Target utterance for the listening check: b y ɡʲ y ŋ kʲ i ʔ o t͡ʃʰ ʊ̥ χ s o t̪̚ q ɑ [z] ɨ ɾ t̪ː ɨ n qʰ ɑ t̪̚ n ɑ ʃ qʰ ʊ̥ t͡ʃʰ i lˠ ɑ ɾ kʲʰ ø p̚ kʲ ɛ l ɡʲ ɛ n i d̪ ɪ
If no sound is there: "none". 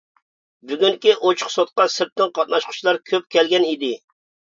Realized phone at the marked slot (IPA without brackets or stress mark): s